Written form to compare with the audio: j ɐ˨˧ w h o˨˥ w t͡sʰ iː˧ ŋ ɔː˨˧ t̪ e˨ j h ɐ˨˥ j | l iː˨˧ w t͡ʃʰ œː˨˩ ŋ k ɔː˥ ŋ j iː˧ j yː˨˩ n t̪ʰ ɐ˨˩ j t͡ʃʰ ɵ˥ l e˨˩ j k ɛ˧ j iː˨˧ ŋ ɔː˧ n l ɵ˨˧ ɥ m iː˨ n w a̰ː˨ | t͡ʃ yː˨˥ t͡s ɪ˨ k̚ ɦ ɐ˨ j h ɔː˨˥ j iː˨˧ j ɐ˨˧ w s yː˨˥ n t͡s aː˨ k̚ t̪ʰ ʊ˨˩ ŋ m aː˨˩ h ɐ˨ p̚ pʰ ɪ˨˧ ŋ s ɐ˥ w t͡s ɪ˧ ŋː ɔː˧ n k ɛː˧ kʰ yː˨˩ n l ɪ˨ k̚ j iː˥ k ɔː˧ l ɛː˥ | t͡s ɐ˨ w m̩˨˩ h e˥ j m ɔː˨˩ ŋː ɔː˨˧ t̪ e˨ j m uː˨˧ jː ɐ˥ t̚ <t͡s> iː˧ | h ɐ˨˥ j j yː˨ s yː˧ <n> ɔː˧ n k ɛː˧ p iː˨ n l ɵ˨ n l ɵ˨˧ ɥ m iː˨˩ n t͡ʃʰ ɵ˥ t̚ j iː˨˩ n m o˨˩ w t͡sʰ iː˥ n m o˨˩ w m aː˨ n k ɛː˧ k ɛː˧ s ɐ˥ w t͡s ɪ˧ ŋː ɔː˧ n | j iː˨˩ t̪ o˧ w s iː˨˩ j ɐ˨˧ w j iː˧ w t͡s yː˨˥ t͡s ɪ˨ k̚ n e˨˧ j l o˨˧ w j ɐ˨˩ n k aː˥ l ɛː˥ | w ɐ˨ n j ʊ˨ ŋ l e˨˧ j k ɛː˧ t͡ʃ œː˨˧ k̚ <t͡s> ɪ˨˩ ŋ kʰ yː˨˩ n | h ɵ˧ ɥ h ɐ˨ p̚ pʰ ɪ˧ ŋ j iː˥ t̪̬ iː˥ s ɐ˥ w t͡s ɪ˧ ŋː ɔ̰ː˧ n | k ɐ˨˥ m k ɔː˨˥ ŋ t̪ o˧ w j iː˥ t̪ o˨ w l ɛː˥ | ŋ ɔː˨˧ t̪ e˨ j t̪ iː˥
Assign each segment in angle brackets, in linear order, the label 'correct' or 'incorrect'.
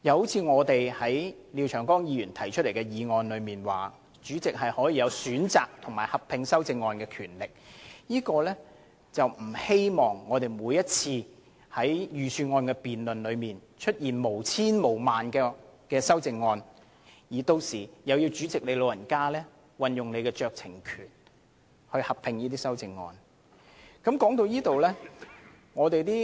incorrect, incorrect, incorrect

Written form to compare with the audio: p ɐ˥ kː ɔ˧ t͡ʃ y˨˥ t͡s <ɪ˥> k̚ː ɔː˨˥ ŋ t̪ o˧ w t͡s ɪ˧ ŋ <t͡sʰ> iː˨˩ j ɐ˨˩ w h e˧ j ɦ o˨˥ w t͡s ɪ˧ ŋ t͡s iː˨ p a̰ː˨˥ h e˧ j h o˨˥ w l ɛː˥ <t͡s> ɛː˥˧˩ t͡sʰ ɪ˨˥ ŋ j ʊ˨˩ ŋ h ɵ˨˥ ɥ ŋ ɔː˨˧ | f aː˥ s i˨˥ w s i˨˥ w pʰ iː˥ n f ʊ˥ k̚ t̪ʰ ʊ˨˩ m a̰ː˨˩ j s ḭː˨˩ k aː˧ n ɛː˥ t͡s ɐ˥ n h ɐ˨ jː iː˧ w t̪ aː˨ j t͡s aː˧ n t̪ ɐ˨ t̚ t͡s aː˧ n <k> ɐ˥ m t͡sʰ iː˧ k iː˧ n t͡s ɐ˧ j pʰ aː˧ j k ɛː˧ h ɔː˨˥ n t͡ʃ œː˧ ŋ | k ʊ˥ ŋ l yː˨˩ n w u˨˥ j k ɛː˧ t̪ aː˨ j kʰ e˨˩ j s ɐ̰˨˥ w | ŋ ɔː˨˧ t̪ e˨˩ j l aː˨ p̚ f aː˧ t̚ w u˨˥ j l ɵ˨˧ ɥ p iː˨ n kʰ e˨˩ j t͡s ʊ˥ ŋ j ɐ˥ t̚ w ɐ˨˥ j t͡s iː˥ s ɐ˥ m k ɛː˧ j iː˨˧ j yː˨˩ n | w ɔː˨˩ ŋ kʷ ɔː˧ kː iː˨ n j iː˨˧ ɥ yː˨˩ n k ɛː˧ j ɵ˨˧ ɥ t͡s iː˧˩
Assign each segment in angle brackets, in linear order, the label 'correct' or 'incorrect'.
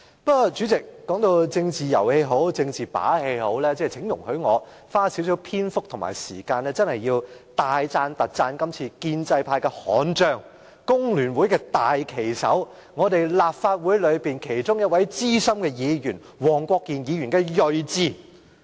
incorrect, incorrect, correct, correct

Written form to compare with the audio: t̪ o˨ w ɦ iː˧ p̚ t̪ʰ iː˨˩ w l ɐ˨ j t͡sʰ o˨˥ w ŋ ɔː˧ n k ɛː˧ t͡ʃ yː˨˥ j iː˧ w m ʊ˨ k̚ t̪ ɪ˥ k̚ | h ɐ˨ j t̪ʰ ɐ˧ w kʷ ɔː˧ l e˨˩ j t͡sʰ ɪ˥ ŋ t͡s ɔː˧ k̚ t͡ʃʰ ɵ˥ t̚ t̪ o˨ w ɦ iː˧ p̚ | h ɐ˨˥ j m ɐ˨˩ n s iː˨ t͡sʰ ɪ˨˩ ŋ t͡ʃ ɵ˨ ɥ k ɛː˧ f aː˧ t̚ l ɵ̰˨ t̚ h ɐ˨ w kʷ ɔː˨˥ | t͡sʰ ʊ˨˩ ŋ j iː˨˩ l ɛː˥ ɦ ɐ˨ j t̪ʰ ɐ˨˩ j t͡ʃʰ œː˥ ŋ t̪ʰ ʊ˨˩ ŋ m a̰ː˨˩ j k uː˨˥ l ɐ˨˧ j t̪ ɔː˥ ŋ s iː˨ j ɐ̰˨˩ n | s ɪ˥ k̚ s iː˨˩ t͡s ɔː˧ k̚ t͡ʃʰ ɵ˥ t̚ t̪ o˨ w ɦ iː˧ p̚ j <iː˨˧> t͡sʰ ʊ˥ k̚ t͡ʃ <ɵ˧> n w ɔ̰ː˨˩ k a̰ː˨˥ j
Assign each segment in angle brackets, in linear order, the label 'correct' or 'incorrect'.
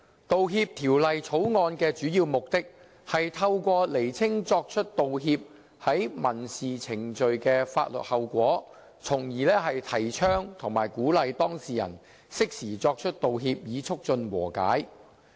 correct, correct

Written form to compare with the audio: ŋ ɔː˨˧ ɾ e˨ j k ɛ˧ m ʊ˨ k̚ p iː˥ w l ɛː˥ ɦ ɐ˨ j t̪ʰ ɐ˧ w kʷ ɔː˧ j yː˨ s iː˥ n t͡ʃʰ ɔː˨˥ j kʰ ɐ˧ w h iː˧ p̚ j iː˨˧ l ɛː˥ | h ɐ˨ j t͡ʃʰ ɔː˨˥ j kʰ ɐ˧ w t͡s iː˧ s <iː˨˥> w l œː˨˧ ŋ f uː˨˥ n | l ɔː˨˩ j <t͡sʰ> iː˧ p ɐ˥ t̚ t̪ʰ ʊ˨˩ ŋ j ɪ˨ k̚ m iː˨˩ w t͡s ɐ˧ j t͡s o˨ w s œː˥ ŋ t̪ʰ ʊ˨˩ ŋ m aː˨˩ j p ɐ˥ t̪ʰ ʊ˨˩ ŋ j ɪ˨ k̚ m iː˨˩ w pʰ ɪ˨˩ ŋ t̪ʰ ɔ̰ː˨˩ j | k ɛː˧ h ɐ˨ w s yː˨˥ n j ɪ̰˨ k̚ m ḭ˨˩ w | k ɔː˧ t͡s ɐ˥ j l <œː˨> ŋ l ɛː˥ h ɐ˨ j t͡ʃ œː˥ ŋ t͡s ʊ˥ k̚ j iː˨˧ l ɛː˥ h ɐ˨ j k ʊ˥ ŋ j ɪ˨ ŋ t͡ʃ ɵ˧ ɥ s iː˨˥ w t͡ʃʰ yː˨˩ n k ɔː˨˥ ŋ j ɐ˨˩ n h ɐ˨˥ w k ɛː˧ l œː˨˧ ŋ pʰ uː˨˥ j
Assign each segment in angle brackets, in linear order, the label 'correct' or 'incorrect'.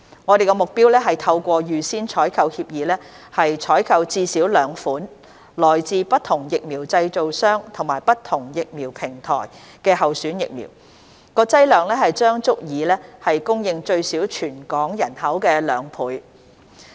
correct, incorrect, correct

